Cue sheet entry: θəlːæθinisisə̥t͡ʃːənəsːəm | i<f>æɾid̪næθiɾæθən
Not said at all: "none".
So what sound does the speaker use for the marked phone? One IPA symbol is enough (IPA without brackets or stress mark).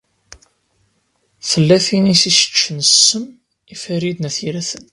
f